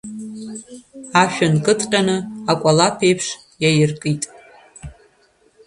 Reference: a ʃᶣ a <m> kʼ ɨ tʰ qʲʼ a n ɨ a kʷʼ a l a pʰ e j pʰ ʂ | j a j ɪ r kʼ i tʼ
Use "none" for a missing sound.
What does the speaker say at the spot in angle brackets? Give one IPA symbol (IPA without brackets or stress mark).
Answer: n